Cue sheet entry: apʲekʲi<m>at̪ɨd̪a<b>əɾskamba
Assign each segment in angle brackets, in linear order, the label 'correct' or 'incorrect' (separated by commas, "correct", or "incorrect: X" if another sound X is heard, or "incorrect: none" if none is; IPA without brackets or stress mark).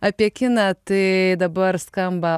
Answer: incorrect: n, correct